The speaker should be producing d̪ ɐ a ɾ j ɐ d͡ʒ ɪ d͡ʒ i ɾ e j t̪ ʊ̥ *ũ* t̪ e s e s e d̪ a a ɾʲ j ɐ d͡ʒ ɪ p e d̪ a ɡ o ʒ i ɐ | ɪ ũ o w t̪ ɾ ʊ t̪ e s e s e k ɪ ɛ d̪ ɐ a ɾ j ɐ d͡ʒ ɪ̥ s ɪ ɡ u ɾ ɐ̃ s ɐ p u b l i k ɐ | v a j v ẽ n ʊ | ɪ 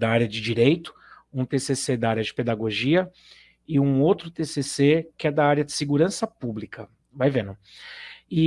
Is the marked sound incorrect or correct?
correct